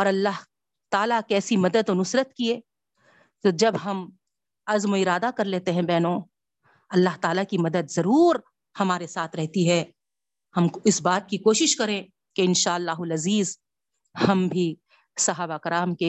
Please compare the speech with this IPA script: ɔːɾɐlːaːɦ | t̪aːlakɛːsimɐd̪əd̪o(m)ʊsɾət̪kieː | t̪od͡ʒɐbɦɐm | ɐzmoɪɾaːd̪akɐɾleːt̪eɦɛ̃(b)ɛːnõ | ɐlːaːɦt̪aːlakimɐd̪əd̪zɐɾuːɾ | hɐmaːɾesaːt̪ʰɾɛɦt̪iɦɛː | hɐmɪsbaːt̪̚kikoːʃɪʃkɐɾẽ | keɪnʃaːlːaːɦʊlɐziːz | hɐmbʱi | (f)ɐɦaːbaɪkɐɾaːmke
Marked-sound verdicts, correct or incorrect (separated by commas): incorrect, correct, incorrect